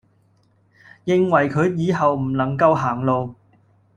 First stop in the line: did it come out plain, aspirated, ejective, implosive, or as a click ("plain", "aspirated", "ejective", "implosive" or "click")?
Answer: aspirated